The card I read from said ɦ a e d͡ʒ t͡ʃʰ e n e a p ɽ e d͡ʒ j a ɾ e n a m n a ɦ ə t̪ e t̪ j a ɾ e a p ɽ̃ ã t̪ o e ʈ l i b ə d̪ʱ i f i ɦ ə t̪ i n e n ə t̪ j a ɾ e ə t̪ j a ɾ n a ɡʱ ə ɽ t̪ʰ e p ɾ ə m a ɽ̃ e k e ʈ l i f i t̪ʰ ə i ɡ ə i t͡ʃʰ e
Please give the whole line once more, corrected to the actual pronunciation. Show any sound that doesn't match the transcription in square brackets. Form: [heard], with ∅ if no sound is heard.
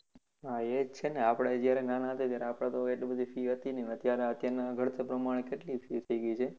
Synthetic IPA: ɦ a e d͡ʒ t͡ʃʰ e n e a p ɽ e d͡ʒ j a ɾ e n a [∅] n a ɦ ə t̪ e t̪ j a ɾ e a p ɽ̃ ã t̪ o e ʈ l i b ə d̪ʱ i f i ɦ ə t̪ i n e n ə t̪ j a ɾ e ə t̪ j a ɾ n a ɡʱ ə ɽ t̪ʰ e p ɾ ə m a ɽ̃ e k e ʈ l i f i t̪ʰ ə i ɡ ə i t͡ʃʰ e